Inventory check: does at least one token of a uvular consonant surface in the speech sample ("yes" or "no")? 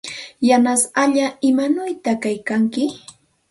no